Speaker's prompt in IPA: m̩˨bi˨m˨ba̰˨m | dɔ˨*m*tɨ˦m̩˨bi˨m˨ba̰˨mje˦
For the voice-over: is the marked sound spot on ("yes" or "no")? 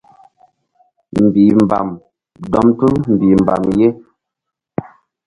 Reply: yes